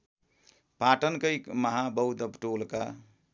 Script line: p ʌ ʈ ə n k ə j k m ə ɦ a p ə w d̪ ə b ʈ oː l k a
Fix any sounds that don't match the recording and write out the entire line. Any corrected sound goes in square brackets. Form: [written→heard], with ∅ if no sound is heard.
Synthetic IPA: p [ʌ→a] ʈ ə n k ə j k m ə ɦ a [p→b] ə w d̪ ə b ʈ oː l k a